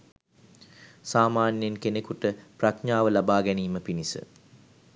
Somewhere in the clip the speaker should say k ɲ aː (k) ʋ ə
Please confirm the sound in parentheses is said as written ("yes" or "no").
no